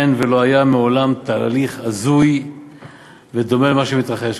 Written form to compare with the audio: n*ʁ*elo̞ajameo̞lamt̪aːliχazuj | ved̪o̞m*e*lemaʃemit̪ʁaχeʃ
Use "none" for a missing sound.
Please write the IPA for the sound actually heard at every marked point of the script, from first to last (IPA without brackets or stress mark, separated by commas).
v, e